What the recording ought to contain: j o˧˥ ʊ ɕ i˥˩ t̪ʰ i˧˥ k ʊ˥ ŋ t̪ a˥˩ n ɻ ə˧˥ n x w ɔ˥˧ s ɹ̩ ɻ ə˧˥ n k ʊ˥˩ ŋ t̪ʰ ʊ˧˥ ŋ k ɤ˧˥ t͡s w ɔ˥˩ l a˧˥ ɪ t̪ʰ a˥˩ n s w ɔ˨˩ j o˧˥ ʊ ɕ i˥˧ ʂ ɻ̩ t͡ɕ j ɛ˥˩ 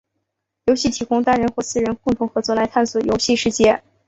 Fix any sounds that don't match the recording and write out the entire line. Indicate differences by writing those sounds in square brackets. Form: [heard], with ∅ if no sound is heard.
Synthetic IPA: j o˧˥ ʊ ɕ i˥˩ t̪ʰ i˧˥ k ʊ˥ ŋ t̪ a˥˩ n ɻ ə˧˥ n x w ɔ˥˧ s ɹ̩ ɻ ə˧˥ n k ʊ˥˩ ŋ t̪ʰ ʊ˧˥ ŋ [x] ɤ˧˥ t͡s w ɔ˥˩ l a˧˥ ɪ t̪ʰ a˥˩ n s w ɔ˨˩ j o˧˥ ʊ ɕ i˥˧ ʂ ɻ̩ t͡ɕ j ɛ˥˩